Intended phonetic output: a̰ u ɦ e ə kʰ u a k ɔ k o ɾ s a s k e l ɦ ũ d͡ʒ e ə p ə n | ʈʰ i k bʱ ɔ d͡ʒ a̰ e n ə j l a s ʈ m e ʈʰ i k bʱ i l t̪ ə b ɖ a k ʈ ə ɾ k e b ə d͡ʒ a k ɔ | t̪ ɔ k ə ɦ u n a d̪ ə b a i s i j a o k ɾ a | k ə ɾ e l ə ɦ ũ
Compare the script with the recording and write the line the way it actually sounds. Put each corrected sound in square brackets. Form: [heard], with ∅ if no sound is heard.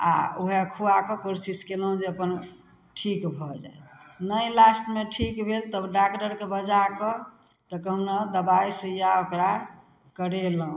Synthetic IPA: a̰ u ɦ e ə kʰ u a k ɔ k o ɾ s [i] s k e l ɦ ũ d͡ʒ e ə p ə n | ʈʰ i k bʱ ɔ d͡ʒ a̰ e n ə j l a s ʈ m e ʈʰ i k bʱ [e] l t̪ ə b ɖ a k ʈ ə ɾ k e b ə d͡ʒ a k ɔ | t̪ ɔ k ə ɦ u n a d̪ ə b a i s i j a o k ɾ a | k ə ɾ e l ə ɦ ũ